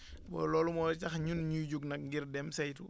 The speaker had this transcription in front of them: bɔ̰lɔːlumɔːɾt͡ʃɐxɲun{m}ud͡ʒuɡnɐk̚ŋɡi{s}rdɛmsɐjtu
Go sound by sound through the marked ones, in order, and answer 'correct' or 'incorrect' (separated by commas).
incorrect, incorrect